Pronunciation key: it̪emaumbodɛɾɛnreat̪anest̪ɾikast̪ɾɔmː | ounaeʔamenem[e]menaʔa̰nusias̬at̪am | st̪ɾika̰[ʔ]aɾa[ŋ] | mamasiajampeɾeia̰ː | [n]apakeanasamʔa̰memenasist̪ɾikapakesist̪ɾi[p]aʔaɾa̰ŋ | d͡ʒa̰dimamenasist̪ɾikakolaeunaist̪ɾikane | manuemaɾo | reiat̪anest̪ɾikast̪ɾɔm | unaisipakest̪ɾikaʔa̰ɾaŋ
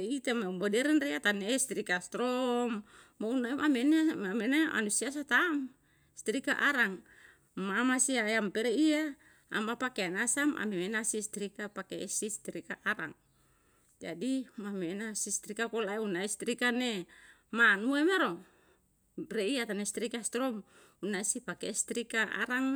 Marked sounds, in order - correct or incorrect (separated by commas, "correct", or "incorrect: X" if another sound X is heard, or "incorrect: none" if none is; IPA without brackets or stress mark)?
incorrect: a, correct, correct, incorrect: m, incorrect: k